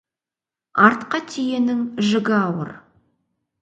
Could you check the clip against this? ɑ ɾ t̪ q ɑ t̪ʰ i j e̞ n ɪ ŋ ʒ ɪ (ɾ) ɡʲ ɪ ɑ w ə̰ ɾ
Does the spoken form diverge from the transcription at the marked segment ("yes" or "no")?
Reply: yes